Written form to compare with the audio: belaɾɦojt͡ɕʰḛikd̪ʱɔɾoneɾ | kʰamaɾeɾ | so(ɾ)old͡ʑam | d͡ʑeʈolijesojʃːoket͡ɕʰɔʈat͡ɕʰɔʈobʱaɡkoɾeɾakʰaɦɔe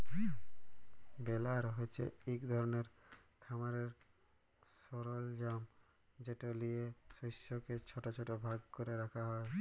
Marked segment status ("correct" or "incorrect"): correct